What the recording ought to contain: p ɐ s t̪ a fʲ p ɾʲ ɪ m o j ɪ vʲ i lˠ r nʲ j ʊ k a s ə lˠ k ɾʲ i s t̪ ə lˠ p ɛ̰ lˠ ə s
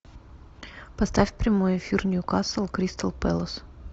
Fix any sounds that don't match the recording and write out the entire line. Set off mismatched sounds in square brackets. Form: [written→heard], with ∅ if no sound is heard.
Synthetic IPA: p ɐ s t̪ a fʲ p ɾʲ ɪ m o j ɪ [vʲ→fʲ] i [lˠ→∅] r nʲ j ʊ k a s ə lˠ k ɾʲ i s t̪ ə lˠ p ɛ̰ lˠ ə s